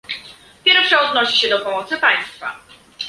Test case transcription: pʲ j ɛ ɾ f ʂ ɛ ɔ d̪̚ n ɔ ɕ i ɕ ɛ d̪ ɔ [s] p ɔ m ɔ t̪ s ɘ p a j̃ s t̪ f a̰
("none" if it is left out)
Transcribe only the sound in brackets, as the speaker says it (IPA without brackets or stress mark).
none